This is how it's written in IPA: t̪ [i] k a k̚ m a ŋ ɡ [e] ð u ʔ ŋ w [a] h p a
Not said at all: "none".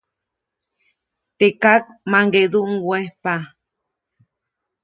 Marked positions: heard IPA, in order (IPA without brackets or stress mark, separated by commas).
e, e, e